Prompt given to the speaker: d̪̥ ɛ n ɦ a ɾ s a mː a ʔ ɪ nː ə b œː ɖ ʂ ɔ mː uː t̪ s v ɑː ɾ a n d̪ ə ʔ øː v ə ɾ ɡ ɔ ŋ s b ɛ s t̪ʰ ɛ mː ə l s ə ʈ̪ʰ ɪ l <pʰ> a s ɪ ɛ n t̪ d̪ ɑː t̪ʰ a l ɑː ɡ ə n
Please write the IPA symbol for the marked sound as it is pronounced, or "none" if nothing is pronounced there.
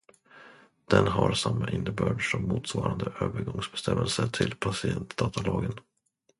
pʰ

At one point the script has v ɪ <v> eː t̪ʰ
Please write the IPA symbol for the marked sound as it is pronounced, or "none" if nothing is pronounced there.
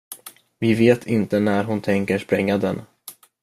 v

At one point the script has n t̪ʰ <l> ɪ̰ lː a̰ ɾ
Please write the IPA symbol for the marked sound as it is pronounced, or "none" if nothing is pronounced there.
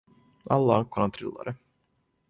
ɾ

